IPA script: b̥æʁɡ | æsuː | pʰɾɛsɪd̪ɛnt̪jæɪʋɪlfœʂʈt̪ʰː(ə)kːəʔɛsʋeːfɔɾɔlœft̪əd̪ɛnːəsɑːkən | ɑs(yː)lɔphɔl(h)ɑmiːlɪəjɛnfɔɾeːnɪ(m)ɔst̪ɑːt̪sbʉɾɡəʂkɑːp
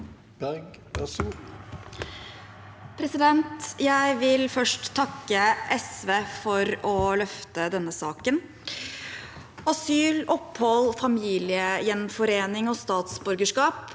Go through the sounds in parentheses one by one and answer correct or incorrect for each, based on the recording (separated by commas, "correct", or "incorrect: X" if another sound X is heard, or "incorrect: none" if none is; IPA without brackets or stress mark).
incorrect: ɑ, correct, incorrect: f, incorrect: ŋ